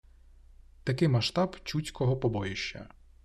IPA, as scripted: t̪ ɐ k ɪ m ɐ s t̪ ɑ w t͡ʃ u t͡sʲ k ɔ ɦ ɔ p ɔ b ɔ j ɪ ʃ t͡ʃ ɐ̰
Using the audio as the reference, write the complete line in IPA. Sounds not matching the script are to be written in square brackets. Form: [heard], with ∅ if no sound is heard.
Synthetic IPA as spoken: t̪ ɐ k ɪ m ɐ [ʃ] t̪ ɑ [b] t͡ʃ u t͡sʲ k ɔ ɦ ɔ p ɔ b ɔ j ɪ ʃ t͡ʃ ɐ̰

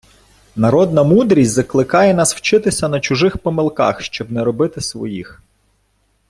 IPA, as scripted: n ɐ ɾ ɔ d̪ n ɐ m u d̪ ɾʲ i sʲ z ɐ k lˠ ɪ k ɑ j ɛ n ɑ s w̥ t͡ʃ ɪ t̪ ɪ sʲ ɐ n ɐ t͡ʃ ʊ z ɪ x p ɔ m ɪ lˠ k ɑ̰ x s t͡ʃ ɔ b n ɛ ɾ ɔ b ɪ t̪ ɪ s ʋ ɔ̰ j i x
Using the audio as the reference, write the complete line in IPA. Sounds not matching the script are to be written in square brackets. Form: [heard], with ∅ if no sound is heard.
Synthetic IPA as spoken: n ɐ ɾ ɔ d̪ n ɐ m u d̪ ɾʲ i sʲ z ɐ k lˠ ɪ k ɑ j ɛ n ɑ s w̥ t͡ʃ ɪ t̪ ɪ sʲ ɐ n ɐ t͡ʃ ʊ [ʒ] ɪ x p ɔ m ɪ lˠ k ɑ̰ x [ʃ] t͡ʃ ɔ b n ɛ ɾ ɔ b ɪ t̪ ɪ s ʋ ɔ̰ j i x

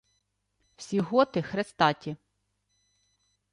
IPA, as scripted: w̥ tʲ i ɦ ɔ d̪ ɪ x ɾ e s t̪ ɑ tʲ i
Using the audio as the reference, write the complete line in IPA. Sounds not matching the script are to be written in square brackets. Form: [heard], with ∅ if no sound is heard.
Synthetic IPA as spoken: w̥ [sʲ] i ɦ ɔ [t̪] ɪ x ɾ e s t̪ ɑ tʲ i

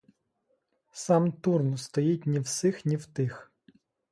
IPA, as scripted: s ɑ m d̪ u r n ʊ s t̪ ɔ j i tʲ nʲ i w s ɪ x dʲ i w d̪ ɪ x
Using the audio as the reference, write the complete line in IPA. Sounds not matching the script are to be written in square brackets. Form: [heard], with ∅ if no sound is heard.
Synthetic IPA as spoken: s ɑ m [t̪] u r n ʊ s t̪ ɔ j i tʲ nʲ i w s ɪ x [nʲ] i w [t̪] ɪ x

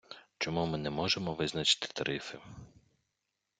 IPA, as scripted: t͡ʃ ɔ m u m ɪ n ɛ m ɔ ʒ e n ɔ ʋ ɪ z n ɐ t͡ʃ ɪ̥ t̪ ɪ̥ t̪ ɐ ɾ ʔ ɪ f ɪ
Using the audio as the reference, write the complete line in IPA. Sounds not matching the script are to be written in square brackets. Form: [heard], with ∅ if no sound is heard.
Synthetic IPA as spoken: t͡ʃ ɔ m u m ɪ n ɛ m ɔ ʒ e [m] ɔ ʋ ɪ z n ɐ t͡ʃ ɪ̥ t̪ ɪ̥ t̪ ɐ ɾ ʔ ɪ f ɪ

